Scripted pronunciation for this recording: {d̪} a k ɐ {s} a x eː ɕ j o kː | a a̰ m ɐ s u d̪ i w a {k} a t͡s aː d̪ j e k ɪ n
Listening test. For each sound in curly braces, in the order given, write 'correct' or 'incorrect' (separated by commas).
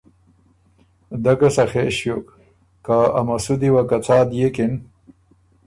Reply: correct, correct, correct